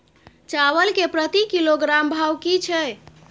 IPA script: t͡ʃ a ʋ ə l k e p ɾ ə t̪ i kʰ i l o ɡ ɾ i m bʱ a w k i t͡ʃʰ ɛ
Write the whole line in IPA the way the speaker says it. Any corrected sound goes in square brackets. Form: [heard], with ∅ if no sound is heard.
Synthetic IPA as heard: t͡ʃ a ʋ ə l k e p ɾ ə t̪ i [k] i l o ɡ ɾ [a] m bʱ a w k i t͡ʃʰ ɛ